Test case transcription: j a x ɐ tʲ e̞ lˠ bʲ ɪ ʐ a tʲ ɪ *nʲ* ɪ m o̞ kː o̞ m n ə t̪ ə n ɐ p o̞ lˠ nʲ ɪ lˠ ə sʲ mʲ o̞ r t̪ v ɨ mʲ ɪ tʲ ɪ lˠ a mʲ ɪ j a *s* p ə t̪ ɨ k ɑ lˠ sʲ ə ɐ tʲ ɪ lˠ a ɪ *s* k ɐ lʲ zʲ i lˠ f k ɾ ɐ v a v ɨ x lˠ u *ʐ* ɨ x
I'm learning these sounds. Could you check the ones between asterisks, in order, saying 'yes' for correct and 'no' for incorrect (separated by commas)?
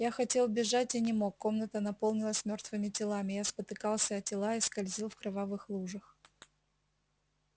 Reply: yes, yes, yes, yes